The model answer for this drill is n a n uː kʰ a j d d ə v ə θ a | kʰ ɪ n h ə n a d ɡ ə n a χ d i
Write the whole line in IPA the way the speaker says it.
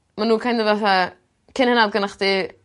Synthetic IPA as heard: m a n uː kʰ a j n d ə v a θ a | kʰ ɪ n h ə n a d ɡ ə n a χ d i